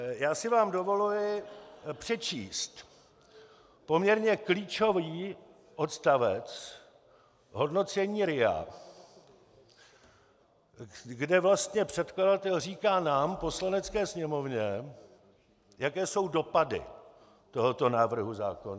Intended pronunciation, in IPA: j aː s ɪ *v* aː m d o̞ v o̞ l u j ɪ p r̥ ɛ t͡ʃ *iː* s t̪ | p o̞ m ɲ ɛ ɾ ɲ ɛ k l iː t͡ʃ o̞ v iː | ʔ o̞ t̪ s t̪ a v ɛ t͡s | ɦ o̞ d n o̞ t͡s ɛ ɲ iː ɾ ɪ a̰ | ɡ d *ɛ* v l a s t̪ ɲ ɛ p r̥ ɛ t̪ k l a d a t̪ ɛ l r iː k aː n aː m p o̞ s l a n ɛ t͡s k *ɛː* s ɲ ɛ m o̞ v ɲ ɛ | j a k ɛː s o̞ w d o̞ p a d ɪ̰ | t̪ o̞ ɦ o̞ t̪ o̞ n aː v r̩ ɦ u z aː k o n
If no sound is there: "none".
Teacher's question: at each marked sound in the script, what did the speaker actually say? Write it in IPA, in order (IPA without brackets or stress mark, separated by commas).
v, iː, ɛ, ɛː